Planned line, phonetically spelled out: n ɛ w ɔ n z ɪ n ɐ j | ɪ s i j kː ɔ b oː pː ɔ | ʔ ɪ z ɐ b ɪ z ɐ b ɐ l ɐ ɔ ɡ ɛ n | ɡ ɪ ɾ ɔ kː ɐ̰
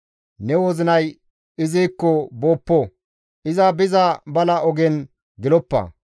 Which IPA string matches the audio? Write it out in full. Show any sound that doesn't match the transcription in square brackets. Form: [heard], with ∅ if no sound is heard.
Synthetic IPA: n ɛ w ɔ [∅] z ɪ n ɐ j | ɪ [z] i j kː ɔ b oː pː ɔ | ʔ ɪ z ɐ b ɪ z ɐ b ɐ l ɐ ɔ ɡ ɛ n | ɡ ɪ [l] ɔ [pː] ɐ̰